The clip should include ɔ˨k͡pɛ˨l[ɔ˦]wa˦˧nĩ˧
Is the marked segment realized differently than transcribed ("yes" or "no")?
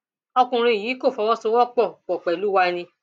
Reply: yes